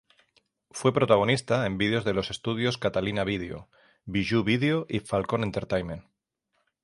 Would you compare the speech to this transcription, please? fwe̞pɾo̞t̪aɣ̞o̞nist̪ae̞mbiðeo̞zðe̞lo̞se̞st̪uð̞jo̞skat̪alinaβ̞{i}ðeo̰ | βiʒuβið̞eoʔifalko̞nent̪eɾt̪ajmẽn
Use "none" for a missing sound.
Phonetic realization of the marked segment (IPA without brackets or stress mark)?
i